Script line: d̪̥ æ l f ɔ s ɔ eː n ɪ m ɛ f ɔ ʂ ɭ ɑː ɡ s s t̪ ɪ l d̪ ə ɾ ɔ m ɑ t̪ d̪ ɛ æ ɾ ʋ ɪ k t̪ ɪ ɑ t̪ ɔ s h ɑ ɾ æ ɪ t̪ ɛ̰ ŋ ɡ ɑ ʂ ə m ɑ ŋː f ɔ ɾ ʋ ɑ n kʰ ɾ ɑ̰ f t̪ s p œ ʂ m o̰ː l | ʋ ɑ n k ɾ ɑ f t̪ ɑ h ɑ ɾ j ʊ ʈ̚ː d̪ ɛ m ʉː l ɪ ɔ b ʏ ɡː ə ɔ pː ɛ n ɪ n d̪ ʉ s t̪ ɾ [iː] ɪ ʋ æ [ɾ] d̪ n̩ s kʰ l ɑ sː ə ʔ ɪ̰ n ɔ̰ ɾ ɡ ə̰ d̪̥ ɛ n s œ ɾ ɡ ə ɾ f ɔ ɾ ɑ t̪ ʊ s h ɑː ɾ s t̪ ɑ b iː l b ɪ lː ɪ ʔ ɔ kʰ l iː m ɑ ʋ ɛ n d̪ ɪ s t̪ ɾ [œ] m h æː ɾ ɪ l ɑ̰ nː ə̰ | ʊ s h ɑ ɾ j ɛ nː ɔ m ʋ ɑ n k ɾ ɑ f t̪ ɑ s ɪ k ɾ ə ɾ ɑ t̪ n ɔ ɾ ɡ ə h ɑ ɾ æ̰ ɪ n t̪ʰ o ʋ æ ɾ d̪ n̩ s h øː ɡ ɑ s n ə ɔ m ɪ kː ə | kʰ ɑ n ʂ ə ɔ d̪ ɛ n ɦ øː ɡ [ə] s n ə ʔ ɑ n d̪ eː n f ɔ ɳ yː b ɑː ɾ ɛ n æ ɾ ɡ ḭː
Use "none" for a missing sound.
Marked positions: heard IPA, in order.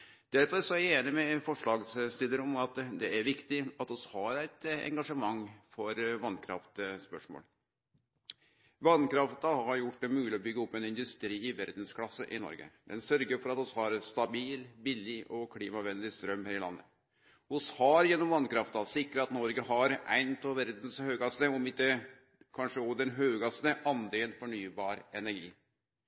iː, ɾ, œ, ɑ

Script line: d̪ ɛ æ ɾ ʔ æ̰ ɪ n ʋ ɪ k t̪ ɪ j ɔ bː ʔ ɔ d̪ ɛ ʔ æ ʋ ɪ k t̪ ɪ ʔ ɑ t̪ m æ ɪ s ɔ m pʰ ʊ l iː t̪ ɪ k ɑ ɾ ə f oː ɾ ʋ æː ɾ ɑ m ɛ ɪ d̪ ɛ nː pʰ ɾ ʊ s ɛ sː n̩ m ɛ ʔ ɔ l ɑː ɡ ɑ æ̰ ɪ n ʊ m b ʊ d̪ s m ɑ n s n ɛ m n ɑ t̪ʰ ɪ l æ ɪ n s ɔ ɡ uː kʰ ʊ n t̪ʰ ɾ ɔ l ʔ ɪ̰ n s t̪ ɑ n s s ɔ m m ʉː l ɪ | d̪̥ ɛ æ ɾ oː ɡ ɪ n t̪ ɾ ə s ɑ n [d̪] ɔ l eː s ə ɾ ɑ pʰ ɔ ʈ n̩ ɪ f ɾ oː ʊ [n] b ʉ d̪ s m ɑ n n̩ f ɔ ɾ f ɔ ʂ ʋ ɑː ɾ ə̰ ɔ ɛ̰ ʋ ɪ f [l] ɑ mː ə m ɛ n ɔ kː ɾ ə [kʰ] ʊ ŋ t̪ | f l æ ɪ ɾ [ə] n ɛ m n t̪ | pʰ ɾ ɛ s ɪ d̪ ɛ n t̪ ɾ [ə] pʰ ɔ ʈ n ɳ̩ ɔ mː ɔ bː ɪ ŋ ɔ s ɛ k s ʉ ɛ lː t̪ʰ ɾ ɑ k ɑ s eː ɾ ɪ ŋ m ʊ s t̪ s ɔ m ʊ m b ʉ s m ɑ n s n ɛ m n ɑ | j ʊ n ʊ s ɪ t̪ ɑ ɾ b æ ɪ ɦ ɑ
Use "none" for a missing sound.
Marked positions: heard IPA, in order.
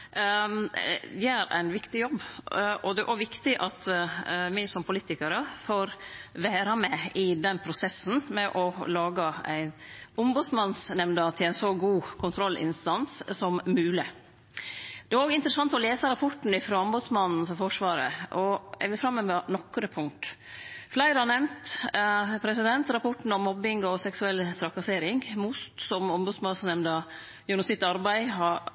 t̪, m, ɾ, pʰ, ɑ, ɑ

